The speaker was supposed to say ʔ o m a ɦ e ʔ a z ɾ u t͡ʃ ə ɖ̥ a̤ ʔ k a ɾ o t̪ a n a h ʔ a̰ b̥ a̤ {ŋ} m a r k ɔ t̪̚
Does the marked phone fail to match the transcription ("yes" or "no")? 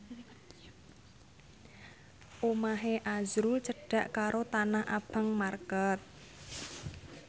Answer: no